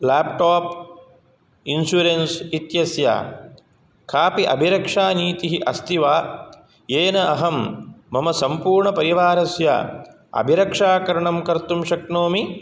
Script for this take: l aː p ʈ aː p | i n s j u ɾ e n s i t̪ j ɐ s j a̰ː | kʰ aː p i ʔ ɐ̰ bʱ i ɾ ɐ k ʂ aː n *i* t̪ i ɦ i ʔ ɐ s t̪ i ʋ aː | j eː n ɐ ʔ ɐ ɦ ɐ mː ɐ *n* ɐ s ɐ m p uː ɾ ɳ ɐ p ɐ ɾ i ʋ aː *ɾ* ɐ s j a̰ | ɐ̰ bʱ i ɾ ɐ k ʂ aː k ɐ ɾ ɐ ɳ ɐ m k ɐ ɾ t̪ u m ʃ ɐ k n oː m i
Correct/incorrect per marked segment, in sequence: incorrect: iː, incorrect: m, correct

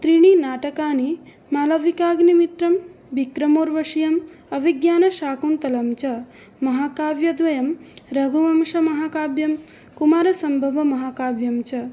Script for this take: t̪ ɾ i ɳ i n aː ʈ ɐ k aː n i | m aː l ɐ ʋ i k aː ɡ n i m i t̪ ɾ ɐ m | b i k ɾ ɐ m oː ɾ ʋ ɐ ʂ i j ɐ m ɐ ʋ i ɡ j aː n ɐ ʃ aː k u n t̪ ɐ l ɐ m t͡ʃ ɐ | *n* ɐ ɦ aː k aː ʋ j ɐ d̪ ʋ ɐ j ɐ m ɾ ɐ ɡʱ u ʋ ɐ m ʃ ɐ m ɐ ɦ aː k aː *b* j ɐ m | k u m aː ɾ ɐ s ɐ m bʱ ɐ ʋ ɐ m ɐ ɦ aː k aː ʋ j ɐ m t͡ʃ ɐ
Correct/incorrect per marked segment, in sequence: incorrect: m, correct

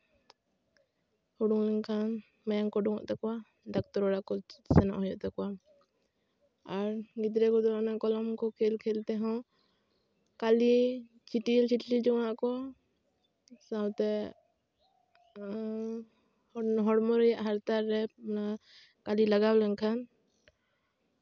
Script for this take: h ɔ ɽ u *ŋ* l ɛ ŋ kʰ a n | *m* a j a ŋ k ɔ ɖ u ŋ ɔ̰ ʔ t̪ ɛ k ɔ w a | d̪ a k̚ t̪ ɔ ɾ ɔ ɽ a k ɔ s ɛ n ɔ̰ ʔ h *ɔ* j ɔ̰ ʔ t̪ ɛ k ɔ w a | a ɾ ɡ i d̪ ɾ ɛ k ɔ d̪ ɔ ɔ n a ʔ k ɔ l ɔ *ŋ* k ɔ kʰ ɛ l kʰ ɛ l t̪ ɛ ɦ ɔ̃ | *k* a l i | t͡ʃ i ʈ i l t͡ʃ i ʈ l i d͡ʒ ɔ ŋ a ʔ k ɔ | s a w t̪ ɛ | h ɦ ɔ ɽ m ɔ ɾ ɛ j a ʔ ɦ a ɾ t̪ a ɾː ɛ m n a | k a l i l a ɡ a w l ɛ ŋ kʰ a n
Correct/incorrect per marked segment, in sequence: correct, correct, correct, incorrect: m, correct

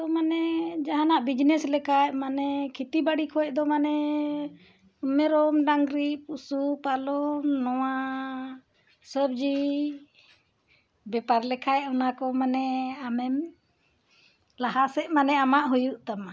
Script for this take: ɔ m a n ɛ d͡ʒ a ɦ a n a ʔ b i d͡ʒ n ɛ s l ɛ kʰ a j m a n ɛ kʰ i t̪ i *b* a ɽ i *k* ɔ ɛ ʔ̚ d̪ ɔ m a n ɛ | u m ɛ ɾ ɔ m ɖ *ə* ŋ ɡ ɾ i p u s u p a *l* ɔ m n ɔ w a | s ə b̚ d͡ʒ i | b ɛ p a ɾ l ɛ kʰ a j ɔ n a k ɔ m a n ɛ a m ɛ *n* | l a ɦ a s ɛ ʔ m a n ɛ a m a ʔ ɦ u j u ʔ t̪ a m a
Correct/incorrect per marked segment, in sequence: correct, incorrect: kʰ, incorrect: a, correct, incorrect: m

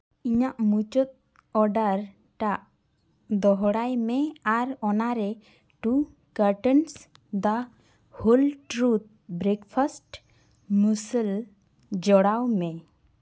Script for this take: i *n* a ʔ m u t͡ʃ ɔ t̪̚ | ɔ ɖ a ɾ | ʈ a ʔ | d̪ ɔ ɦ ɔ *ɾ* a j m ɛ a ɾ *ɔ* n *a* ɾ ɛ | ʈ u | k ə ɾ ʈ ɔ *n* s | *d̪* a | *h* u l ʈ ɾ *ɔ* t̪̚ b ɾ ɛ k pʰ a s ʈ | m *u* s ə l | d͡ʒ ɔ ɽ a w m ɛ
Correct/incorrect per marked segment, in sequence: incorrect: ɲ, incorrect: ɽ, correct, correct, correct, correct, correct, incorrect: u, correct

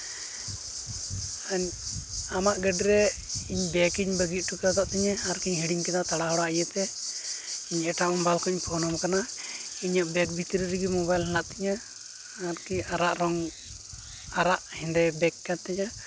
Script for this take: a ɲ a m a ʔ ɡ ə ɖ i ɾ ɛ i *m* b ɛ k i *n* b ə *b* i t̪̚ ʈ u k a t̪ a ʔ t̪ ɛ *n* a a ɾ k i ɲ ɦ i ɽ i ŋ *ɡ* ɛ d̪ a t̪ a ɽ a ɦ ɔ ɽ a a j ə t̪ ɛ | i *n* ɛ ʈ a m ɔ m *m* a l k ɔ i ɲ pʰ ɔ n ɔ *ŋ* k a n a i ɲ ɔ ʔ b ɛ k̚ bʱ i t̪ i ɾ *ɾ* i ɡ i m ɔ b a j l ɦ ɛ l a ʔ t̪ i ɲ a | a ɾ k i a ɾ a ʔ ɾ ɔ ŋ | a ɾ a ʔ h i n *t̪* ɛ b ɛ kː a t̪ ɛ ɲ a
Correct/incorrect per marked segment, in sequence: incorrect: ɲ, incorrect: ɲ, incorrect: ɡ, incorrect: ɲ, incorrect: k, incorrect: ɲ, incorrect: b, incorrect: m, correct, incorrect: d̪

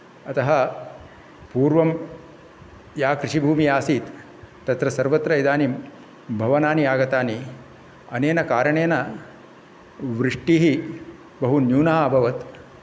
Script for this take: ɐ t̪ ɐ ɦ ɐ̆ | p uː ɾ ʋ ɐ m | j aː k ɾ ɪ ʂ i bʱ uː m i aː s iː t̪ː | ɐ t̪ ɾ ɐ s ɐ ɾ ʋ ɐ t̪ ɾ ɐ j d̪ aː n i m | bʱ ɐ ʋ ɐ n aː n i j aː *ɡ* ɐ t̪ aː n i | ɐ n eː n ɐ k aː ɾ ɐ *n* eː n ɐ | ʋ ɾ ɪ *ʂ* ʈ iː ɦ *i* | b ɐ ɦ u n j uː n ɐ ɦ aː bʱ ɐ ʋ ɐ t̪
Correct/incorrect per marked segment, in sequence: correct, incorrect: ɳ, correct, correct

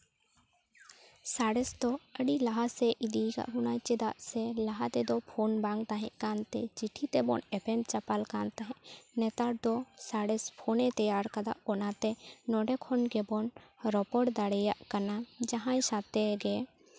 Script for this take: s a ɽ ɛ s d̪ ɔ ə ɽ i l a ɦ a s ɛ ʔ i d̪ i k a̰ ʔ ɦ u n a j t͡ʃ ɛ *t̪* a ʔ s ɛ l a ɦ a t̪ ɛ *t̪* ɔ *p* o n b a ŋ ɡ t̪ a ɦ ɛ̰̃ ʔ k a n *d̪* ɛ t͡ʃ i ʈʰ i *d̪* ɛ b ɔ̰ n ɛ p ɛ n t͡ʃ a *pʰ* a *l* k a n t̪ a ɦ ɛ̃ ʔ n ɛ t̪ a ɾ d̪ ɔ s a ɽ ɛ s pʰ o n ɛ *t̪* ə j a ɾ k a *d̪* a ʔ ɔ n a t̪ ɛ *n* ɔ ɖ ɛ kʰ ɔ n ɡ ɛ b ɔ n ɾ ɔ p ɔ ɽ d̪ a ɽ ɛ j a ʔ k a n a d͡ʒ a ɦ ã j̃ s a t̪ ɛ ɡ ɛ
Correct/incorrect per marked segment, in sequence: incorrect: d̪, incorrect: d̪, incorrect: pʰ, incorrect: t̪, incorrect: t̪, incorrect: p, correct, correct, correct, correct

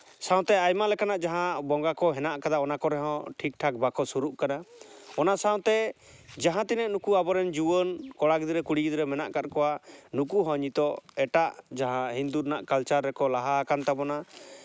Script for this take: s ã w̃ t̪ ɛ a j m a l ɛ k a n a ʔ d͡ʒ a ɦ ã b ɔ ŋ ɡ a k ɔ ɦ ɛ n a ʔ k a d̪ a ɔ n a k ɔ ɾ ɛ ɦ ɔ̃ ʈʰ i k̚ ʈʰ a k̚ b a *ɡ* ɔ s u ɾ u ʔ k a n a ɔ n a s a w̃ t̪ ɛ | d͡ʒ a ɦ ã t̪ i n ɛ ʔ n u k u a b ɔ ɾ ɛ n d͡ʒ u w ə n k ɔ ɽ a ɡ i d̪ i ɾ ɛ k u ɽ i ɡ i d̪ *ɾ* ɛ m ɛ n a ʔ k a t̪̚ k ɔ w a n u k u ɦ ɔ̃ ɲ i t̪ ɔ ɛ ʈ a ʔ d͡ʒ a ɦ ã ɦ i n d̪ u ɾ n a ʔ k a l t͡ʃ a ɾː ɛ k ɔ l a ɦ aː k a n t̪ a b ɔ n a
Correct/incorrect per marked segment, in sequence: incorrect: k, correct

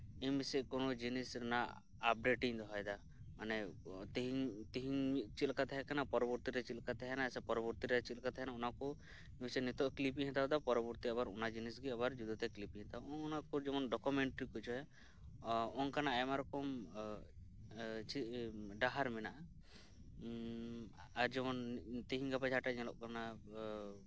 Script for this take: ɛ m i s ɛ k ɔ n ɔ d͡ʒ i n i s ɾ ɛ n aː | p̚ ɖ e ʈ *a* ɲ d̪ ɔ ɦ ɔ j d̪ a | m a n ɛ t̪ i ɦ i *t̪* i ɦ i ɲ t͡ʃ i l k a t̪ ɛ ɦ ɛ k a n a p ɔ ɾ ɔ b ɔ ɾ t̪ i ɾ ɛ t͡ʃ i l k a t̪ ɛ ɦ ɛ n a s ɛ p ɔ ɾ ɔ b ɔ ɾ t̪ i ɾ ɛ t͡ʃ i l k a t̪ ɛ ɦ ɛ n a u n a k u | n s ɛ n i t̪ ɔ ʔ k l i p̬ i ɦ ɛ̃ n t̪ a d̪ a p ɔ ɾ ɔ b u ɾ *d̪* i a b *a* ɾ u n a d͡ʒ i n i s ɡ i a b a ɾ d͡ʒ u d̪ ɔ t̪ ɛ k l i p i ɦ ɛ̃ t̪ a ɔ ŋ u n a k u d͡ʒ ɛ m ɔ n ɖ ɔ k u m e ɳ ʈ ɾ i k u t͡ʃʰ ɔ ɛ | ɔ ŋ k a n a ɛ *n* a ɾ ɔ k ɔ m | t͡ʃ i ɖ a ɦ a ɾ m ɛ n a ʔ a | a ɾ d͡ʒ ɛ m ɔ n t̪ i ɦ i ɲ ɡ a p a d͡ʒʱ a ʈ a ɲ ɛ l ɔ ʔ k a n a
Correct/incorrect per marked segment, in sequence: incorrect: i, correct, incorrect: t̪, correct, incorrect: m

